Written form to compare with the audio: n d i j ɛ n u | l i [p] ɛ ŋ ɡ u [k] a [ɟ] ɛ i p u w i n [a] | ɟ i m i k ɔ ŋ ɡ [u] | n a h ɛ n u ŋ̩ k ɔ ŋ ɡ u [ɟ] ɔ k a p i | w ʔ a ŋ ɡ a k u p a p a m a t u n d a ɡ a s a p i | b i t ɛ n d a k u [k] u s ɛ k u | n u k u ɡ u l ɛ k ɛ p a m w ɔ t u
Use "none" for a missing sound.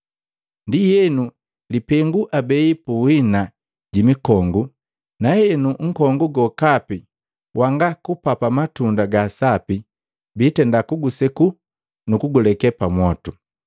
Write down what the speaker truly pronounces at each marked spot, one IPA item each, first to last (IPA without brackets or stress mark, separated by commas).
p, ʔ, b, a, u, ɡ, ɡ